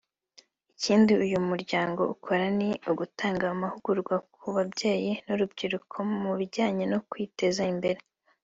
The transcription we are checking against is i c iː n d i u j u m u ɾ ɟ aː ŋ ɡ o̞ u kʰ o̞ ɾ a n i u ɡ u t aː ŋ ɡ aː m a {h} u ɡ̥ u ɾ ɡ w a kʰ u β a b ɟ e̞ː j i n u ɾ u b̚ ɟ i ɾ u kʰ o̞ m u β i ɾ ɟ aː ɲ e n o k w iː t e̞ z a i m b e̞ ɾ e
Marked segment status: correct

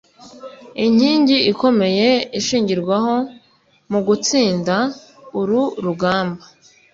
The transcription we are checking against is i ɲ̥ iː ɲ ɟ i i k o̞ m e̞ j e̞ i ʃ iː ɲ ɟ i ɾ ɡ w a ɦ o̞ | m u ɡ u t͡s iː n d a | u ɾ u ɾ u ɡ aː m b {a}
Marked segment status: correct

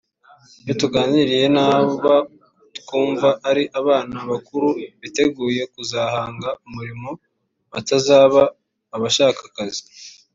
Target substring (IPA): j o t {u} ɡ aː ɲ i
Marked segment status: correct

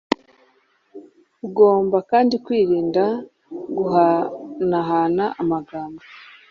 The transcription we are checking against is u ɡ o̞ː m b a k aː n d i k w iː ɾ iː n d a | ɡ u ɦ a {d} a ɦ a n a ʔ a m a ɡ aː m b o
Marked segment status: incorrect: n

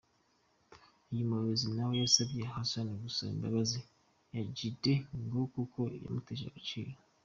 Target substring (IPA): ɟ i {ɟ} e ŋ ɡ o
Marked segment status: incorrect: d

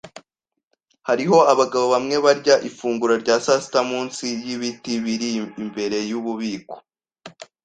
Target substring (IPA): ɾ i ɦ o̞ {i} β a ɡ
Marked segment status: incorrect: a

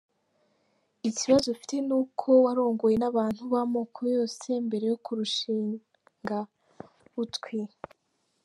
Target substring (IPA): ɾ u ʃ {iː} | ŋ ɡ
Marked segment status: correct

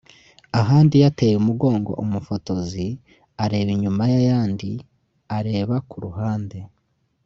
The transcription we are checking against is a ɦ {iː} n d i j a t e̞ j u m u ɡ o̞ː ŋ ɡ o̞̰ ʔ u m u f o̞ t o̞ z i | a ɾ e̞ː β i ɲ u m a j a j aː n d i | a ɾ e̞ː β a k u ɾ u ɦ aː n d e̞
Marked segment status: incorrect: aː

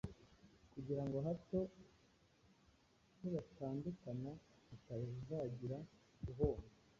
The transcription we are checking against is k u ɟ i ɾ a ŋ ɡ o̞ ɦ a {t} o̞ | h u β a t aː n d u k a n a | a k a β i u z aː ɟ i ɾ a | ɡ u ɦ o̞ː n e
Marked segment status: correct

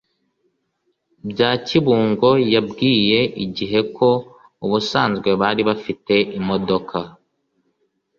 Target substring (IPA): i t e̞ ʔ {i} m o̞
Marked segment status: correct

